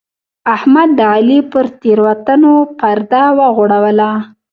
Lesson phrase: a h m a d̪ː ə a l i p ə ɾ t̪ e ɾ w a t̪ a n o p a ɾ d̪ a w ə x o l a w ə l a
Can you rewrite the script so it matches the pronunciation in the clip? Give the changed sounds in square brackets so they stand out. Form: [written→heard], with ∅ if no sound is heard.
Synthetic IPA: a h m a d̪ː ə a l i p ə ɾ t̪ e ɾ w a t̪ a n o p a ɾ d̪ a w ə [x→ɣ] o [l→ɽ] a w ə l a